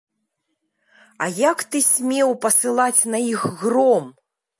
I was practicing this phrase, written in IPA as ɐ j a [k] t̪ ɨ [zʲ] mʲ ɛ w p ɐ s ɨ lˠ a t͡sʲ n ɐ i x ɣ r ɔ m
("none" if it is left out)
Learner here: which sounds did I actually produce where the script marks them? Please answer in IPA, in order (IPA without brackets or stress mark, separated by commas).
k, sʲ